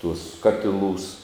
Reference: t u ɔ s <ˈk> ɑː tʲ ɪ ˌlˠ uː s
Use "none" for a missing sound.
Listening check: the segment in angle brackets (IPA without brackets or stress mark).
k